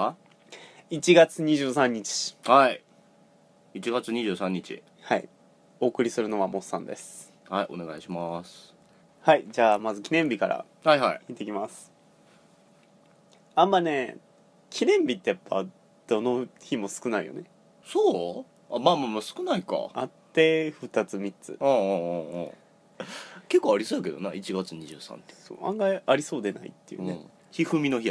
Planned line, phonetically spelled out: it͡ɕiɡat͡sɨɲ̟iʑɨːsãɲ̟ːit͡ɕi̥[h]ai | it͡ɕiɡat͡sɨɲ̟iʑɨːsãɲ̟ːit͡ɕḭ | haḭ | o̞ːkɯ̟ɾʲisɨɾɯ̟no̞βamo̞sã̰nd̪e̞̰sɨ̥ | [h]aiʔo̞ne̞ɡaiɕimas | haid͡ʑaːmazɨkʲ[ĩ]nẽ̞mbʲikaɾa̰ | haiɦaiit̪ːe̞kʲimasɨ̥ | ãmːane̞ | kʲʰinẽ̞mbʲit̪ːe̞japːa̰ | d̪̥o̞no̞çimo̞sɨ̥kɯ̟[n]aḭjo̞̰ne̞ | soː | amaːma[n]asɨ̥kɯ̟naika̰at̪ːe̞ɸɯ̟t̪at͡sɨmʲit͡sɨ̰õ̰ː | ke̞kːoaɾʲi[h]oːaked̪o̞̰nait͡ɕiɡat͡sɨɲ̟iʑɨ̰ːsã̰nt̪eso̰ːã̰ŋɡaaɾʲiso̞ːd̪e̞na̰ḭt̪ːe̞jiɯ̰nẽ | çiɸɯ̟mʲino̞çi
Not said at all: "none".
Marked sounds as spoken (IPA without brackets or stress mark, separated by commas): h, h, i, n, m, s